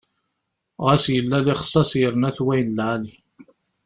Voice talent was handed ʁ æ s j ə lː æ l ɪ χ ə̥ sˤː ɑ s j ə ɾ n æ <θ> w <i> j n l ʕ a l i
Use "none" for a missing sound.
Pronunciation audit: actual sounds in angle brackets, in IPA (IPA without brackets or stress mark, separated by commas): θ, æ